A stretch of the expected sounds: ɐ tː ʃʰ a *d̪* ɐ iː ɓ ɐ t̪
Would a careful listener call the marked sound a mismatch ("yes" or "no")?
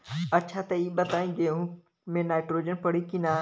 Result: yes